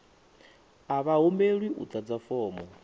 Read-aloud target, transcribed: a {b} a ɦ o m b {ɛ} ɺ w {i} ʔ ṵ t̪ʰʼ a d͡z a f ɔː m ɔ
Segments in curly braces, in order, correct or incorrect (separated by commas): incorrect, incorrect, correct